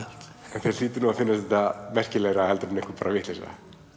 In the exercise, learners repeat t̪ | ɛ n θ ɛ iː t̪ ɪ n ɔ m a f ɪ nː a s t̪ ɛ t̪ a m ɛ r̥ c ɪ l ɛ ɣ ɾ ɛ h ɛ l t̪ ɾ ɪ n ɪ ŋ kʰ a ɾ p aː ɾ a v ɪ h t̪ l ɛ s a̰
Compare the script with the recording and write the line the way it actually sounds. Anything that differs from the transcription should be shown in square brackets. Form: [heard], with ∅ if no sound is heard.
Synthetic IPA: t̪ | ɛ n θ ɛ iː t̪ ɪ n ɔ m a f ɪ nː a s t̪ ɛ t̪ a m ɛ r̥ c ɪ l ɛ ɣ ɾ [a] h ɛ l t̪ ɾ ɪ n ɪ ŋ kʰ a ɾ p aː ɾ a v ɪ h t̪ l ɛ s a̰